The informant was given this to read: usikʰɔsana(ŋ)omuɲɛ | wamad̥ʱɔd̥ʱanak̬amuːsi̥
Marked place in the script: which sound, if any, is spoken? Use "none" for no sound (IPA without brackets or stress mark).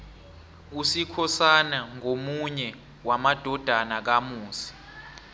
ŋ